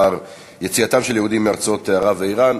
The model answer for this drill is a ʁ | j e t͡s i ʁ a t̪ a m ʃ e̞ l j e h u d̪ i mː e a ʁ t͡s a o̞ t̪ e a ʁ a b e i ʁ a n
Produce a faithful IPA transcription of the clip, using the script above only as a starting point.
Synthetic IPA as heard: a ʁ | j e t͡s i a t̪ a m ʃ e̞ l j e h u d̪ i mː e a ʁ t͡s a o̞ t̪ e a ʁ a v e i ʁ a n